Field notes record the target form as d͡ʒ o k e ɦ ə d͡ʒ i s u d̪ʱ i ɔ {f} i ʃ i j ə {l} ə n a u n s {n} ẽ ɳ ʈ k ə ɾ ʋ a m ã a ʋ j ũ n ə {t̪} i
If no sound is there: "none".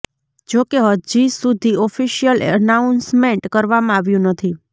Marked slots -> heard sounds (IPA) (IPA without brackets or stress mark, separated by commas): f, l, m, t̪ʰ